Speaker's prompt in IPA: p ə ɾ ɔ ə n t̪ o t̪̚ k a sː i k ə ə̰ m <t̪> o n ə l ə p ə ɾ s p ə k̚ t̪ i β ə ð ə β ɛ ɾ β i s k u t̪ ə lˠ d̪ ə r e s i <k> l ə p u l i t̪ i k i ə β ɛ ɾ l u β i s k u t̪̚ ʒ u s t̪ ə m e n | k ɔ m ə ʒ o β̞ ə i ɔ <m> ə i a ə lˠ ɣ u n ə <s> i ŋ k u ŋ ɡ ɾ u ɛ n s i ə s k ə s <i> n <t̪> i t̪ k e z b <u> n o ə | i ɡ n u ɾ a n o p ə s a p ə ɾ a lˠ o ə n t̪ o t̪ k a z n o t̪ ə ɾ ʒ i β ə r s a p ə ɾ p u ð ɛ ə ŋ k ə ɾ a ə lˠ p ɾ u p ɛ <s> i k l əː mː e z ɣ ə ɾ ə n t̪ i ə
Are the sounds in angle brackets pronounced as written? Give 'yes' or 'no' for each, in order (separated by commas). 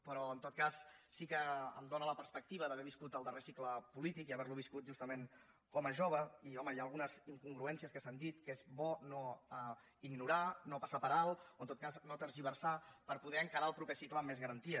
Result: no, yes, yes, no, no, no, no, yes